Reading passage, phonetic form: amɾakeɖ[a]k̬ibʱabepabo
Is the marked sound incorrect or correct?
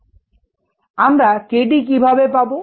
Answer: incorrect